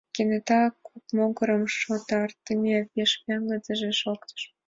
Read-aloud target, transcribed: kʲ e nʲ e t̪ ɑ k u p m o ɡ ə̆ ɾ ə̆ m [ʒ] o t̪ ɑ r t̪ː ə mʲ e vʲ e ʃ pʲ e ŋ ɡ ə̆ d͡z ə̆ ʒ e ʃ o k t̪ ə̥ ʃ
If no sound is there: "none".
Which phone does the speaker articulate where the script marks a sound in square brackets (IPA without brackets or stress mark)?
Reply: ʃ